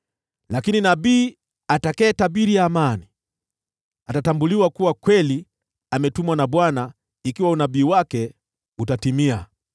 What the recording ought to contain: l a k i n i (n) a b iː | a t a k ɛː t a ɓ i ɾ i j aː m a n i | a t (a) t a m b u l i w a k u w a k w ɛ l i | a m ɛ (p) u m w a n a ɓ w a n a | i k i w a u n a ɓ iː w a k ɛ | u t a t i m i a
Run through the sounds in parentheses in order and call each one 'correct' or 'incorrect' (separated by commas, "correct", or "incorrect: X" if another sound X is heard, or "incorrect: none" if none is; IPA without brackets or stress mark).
correct, correct, incorrect: t